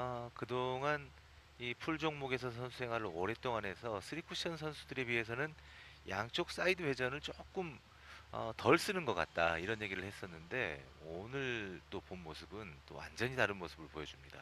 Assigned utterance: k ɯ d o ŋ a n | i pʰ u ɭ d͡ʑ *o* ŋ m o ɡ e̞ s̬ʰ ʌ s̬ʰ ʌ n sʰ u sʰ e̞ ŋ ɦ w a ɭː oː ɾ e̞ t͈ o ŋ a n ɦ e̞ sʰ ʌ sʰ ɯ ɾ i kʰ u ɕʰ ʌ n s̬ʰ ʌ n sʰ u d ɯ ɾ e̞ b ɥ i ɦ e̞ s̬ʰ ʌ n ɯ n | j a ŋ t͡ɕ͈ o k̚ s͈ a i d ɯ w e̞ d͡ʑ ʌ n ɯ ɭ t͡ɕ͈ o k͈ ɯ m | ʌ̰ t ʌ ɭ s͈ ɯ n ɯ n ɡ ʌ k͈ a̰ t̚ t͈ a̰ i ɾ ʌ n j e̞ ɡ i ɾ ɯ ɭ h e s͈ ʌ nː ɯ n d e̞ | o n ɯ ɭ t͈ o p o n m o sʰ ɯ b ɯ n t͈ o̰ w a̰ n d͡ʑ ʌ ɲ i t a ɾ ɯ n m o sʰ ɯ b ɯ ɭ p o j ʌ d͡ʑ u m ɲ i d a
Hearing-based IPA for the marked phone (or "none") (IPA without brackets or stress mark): o